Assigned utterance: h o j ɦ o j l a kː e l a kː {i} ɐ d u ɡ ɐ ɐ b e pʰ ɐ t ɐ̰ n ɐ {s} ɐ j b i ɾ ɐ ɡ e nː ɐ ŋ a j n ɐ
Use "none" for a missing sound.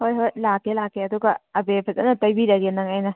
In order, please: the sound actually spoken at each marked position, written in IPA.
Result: e, t

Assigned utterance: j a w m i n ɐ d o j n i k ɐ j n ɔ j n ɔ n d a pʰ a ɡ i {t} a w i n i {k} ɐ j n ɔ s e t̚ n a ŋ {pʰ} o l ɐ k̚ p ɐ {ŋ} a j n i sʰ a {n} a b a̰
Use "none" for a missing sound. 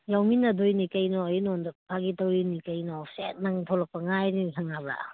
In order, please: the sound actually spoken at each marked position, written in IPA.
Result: t, k, tʰ, ŋ, ŋ

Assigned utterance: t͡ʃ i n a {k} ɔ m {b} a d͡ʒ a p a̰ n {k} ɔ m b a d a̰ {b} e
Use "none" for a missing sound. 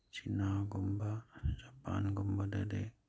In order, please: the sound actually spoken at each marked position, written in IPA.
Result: ɡ, b, ɡ, d

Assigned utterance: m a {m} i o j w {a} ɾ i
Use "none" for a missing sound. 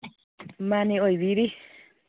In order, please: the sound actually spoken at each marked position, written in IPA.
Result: n, i

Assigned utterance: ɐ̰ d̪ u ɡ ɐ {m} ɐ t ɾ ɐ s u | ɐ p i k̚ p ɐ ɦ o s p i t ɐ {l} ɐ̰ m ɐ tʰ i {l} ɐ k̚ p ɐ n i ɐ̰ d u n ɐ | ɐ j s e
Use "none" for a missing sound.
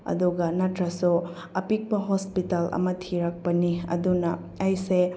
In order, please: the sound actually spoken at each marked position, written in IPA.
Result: n, l, ɾ

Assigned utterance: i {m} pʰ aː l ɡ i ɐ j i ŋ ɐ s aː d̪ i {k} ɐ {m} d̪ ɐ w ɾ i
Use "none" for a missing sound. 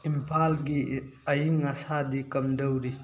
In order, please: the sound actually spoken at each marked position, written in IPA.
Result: m, k, m

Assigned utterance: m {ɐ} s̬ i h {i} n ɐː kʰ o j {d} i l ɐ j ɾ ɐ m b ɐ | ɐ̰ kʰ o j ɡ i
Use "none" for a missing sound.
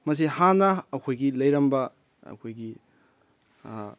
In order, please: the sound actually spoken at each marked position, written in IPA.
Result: ɐ, a, ɡ

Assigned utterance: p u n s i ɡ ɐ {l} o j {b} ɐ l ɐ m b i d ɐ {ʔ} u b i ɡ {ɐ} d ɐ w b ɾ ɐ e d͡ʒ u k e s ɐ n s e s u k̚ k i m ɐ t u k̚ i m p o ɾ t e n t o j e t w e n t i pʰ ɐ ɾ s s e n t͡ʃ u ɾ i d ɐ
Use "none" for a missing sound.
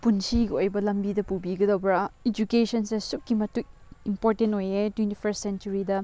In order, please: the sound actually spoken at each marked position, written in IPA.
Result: none, b, p, ɐ

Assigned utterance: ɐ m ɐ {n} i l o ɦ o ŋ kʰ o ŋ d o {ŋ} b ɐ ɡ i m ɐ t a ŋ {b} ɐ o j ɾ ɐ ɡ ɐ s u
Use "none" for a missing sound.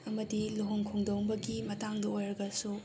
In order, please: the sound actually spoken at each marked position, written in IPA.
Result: d, ŋ, d

